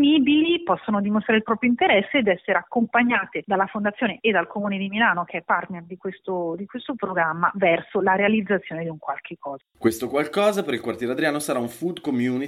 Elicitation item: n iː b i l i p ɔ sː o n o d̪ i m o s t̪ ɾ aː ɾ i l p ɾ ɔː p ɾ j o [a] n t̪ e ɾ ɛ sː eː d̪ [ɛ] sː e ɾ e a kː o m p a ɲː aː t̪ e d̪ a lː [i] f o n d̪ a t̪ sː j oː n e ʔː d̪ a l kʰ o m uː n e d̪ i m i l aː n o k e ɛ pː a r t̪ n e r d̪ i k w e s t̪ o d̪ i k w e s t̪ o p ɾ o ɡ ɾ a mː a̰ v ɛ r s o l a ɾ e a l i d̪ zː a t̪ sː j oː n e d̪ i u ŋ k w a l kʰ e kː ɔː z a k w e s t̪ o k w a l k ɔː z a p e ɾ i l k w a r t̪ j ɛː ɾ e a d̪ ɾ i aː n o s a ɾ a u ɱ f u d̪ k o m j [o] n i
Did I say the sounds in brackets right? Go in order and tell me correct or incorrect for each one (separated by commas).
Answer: incorrect, correct, incorrect, incorrect